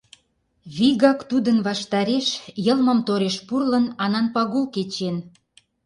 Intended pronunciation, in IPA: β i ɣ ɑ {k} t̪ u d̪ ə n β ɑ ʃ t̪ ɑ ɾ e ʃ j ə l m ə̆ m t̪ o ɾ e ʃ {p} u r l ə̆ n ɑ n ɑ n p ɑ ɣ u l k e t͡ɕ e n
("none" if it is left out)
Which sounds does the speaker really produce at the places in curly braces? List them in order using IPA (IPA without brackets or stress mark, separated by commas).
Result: k, p